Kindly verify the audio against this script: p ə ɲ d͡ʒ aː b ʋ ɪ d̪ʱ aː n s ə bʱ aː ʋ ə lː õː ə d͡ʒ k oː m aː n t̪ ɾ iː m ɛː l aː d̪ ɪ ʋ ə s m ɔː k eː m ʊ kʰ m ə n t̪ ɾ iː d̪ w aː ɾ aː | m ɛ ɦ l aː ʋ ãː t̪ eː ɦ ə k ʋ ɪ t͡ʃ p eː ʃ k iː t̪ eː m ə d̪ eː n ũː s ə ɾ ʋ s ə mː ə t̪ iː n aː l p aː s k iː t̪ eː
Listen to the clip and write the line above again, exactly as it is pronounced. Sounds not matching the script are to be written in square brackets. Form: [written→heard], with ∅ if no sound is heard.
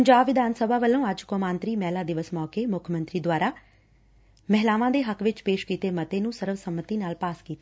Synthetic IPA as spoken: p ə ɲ d͡ʒ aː b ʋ ɪ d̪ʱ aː n s ə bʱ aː ʋ ə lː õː ə d͡ʒ k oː m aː n t̪ ɾ iː m ɛː l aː d̪ ɪ ʋ ə s m ɔː k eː m ʊ kʰ m ə n t̪ ɾ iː d̪ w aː ɾ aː | m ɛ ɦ l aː ʋ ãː [t̪→d̪] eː ɦ ə k ʋ ɪ t͡ʃ p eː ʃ k iː t̪ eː m ə [d̪→t̪] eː n ũː s ə ɾ ʋ s ə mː ə t̪ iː n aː l p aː s k iː t̪ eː